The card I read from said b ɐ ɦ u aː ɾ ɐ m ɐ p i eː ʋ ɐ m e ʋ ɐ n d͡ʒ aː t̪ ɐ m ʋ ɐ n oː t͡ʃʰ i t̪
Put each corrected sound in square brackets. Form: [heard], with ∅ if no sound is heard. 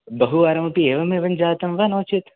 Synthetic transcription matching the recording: b ɐ ɦ u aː ɾ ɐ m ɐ p i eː ʋ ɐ m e ʋ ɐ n d͡ʒ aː t̪ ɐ m ʋ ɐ n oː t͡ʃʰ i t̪